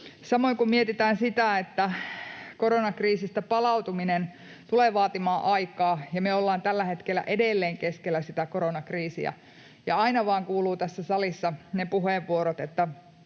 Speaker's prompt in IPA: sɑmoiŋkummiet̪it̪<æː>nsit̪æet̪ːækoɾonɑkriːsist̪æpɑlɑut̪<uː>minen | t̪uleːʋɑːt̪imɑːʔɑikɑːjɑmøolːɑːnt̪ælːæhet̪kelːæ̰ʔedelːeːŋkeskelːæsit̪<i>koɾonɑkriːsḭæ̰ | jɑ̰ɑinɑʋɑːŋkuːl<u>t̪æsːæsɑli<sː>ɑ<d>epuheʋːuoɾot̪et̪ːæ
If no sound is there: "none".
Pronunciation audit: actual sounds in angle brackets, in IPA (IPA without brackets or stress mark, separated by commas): æː, u, æ, uː, sː, n